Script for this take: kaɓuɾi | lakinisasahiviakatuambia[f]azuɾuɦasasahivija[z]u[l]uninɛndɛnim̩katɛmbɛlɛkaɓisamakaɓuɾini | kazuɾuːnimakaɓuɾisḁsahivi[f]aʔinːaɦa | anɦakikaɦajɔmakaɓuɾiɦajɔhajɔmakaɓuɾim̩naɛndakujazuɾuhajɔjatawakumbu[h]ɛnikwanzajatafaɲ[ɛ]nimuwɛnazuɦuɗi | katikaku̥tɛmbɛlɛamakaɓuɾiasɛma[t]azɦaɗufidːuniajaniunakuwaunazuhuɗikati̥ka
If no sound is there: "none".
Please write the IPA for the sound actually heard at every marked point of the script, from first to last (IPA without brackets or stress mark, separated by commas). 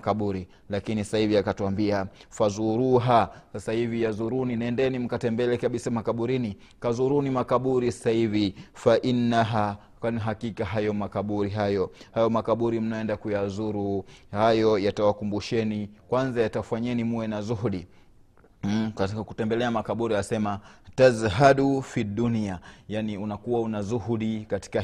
f, z, ɾ, f, ʃ, ɛ, t